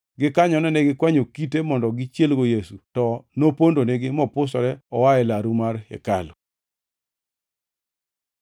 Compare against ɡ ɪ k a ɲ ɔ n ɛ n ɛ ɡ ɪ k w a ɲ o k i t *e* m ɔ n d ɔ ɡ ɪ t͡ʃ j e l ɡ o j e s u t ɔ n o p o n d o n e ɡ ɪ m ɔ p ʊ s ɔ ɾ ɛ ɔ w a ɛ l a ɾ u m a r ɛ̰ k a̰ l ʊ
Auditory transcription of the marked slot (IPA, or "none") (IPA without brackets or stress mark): e